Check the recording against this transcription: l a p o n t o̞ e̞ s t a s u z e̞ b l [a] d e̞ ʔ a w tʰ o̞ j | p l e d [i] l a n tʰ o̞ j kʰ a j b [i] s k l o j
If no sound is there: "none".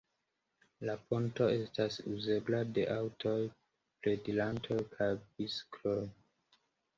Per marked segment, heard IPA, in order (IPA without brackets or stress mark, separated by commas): a, i, i